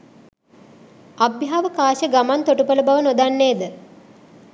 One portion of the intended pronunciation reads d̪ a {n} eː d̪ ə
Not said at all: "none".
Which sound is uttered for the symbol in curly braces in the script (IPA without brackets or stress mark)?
nː